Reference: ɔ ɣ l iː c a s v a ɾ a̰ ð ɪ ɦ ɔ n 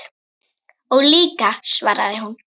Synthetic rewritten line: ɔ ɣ l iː k a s v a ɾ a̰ ð ɪ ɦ u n